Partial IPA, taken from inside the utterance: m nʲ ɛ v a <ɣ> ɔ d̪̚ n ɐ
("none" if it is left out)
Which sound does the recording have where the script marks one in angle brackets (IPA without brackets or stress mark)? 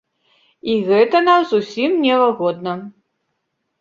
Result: ɣ